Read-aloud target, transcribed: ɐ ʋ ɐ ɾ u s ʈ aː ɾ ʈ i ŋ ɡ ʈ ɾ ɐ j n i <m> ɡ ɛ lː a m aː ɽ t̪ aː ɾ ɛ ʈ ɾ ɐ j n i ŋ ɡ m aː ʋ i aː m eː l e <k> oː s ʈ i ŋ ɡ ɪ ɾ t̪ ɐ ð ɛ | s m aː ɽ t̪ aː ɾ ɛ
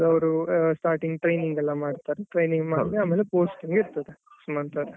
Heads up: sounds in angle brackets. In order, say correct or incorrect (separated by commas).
incorrect, incorrect